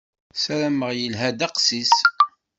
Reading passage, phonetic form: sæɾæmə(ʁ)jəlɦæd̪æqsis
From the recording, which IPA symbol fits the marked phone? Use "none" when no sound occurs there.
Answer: ʁ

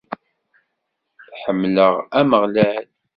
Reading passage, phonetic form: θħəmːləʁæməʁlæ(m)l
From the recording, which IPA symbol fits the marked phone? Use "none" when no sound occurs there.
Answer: none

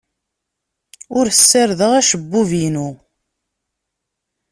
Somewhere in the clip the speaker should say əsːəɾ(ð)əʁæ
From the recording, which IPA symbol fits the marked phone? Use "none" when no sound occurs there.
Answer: ð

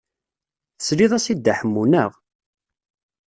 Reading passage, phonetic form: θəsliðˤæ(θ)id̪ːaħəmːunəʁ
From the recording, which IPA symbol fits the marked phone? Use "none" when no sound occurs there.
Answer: s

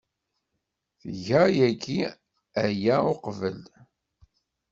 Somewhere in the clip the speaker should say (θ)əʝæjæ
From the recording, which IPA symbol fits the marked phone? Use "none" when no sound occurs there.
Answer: θ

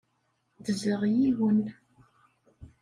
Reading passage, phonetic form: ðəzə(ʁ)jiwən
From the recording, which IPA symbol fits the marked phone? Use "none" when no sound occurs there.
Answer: ʁ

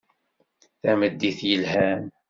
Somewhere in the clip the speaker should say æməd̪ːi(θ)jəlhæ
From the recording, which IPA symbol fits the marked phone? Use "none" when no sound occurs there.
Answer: θ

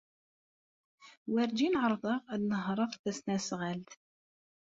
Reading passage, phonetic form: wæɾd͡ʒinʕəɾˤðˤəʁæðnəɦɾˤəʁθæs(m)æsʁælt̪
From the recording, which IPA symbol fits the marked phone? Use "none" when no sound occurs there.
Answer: n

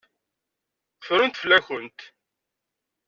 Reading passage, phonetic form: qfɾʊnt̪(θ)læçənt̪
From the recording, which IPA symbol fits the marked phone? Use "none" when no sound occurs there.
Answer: f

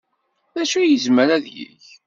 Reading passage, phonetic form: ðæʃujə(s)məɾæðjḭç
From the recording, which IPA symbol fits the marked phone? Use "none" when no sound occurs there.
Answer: z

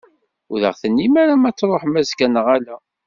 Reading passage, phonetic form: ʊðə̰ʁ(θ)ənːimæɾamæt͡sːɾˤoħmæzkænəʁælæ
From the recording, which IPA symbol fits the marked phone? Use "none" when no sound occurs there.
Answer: θ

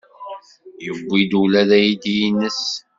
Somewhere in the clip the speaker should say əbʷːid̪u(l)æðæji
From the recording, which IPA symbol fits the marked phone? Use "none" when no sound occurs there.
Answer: l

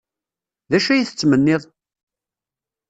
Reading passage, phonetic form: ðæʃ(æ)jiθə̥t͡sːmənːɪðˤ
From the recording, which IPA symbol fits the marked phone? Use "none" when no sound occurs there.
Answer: æ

